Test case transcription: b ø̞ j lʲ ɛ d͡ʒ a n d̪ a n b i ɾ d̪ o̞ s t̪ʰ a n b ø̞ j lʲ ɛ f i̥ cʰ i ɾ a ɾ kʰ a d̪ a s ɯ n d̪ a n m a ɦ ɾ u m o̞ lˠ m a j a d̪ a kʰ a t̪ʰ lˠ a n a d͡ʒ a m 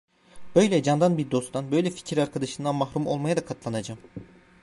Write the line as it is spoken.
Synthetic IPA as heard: b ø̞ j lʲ ɛ d͡ʒ a n d̪ a n b i ɾ d̪ o̞ s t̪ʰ a n b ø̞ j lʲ ɛ f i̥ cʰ i ɾ a ɾ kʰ a d̪ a ʃ ɯ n d̪ a n m a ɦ ɾ u m o̞ lˠ m a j a d̪ a kʰ a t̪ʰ lˠ a n a d͡ʒ a m